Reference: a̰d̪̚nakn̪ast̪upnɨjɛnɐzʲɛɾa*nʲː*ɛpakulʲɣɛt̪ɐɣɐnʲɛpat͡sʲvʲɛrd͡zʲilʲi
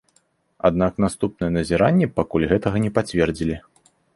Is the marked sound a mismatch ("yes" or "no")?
no